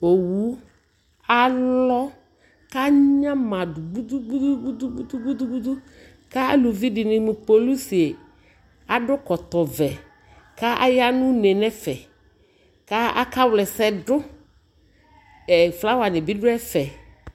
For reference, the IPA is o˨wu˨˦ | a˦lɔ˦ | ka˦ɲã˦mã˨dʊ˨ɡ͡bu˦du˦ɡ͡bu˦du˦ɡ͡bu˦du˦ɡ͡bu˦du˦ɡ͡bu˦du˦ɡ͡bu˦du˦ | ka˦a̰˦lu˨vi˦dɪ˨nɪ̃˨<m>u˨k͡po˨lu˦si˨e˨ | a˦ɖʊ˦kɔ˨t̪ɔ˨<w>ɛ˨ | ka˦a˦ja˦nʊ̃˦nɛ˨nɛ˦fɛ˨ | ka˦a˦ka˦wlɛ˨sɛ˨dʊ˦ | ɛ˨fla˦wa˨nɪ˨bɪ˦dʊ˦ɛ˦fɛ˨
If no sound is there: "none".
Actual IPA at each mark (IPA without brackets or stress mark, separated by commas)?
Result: m, v